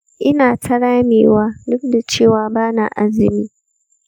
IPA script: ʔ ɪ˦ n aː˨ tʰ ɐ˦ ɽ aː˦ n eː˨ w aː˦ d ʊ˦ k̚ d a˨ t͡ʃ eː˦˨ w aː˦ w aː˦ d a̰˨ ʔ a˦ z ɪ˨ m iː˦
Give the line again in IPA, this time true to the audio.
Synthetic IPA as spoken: ʔ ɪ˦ n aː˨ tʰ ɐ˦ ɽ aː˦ m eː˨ w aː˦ d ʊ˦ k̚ d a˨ t͡ʃ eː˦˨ w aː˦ b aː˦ n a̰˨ ʔ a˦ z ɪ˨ m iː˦